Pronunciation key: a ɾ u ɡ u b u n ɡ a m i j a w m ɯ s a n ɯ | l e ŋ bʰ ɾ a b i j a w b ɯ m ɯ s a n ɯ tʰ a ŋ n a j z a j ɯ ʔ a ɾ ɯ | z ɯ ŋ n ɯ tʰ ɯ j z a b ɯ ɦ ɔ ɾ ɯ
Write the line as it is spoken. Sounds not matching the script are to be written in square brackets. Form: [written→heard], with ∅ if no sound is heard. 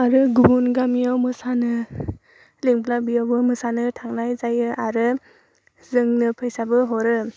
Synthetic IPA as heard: a ɾ [u→ɯ] ɡ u b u n ɡ a m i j a w m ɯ s a n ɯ | l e ŋ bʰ [ɾ→l] a b i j a w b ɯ m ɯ s a n ɯ tʰ a ŋ n a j z a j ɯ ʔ a ɾ ɯ | z ɯ ŋ n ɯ [tʰ→pʰ] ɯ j [z→s] a b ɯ ɦ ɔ ɾ ɯ